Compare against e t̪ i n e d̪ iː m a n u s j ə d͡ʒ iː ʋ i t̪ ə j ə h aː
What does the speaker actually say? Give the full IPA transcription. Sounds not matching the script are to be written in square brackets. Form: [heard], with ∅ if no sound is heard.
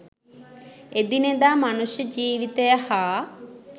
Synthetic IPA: e [d̪] i n e d̪ [aː] m a n u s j ə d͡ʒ iː ʋ i t̪ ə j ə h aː